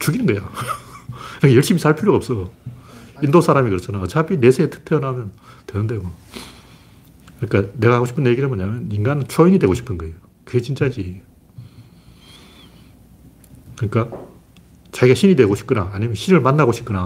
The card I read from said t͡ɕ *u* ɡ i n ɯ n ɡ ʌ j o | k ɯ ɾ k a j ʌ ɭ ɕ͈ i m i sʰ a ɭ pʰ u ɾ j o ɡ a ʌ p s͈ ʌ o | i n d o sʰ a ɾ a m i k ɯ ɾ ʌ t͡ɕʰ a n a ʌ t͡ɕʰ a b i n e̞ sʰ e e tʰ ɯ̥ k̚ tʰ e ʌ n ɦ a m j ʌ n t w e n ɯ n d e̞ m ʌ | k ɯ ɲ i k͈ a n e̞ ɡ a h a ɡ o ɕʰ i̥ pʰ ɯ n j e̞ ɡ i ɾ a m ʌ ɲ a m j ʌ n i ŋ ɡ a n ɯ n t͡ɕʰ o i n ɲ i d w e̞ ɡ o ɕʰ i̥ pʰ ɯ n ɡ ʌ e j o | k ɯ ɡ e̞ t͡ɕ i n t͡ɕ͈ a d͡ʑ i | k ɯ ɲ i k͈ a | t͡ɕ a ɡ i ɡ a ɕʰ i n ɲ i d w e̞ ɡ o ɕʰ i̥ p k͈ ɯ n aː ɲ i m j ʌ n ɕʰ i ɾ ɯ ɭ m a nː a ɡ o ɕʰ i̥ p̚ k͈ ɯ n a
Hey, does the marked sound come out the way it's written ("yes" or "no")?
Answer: yes